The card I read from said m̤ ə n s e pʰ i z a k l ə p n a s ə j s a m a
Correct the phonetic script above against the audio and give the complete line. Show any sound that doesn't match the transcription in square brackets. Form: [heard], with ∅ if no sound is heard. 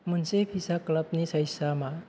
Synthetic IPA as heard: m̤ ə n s e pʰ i [s] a k l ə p n [i] s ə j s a m a